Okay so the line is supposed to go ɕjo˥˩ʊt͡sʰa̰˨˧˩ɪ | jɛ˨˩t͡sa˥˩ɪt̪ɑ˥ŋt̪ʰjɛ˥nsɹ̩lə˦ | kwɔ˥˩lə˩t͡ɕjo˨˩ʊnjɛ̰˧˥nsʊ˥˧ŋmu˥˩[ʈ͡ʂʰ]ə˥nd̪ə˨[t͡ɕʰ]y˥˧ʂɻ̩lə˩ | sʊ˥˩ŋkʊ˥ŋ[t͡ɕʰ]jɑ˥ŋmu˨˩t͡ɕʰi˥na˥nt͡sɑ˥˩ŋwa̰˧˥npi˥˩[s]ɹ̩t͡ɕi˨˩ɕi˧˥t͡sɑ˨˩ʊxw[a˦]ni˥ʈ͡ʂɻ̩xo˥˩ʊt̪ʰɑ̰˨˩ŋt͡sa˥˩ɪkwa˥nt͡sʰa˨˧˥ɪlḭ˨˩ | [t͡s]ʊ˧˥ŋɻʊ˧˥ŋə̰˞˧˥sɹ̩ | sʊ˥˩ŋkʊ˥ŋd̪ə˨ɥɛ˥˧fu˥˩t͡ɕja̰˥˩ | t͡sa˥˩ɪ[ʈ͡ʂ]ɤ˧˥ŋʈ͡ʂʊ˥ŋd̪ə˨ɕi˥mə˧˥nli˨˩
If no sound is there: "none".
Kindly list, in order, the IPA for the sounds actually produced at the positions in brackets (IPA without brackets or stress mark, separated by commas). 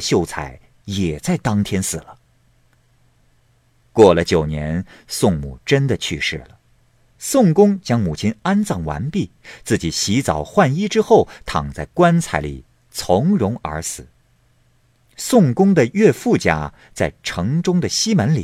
ʈ͡ʂ, t͡ɕʰ, t͡ɕ, t͡s, a˥˩, t͡sʰ, ʈ͡ʂʰ